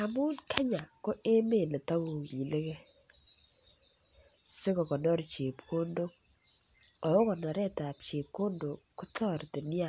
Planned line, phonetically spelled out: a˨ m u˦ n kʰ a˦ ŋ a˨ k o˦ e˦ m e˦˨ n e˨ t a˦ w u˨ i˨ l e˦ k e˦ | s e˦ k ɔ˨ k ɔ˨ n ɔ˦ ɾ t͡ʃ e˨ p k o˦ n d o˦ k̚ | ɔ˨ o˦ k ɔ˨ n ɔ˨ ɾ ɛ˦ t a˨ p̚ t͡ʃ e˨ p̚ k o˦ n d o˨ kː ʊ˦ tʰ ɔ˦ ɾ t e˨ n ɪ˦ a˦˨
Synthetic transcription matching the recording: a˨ m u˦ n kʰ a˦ ɲ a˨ k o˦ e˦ m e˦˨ n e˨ t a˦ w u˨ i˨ l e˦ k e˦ | s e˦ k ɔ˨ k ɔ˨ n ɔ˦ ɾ t͡ʃ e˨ p k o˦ n d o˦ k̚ | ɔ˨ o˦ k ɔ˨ n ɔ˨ ɾ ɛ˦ t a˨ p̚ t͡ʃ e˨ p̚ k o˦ n d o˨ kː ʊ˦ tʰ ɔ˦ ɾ t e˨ n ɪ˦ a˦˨